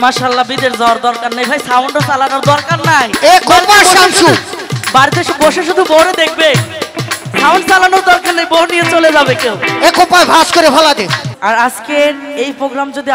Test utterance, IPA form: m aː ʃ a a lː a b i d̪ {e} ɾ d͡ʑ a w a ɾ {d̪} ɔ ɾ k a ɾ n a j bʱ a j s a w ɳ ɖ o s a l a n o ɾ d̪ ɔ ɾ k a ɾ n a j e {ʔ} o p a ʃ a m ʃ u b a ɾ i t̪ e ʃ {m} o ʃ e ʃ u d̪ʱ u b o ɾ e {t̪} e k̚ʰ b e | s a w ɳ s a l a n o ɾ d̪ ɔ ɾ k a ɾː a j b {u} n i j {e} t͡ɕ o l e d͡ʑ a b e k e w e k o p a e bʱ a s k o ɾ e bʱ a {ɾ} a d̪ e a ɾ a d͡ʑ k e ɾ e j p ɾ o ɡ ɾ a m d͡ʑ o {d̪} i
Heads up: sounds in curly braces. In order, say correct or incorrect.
correct, correct, incorrect: k, incorrect: b, incorrect: d̪, incorrect: o, correct, incorrect: l, correct

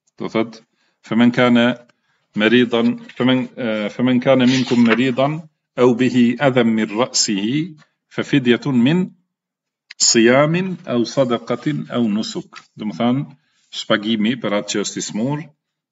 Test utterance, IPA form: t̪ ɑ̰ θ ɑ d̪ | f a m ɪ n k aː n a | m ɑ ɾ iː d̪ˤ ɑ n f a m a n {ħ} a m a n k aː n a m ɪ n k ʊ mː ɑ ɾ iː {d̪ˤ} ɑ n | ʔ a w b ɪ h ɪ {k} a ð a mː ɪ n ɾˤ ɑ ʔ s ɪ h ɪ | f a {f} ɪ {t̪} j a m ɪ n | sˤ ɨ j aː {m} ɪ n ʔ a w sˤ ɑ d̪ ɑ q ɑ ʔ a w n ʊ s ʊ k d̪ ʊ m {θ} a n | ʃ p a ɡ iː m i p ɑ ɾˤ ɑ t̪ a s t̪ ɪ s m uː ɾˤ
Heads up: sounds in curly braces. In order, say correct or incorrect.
incorrect: f, correct, incorrect: ʔ, correct, incorrect: d̪, correct, correct

